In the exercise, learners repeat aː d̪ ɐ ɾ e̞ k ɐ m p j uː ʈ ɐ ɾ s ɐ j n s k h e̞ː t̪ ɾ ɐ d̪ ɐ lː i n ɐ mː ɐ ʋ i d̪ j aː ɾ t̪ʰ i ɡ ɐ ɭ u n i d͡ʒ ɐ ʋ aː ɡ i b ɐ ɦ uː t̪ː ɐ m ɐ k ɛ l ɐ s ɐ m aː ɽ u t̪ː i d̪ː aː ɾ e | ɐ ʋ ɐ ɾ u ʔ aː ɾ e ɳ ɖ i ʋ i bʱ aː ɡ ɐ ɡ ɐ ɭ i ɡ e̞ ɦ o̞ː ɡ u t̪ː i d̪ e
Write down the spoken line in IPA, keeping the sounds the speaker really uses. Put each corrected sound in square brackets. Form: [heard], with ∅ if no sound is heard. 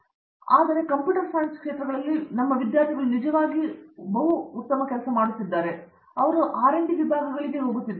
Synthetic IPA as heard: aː d̪ ɐ ɾ e̞ k ɐ m p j uː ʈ ɐ ɾ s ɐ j n s k [ʂ] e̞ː t̪ ɾ ɐ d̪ ɐ lː i n ɐ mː ɐ ʋ i d̪ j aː ɾ t̪ʰ i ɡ ɐ ɭ u n i d͡ʒ ɐ ʋ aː ɡ i b ɐ ɦ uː t̪ː ɐ m ɐ k ɛ l ɐ s ɐ m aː ɽ u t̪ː i d̪ː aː ɾ e | ɐ ʋ ɐ ɾ u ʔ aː ɾ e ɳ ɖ i ʋ i bʱ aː ɡ ɐ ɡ ɐ ɭ i ɡ e̞ ɦ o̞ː ɡ u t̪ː i d̪ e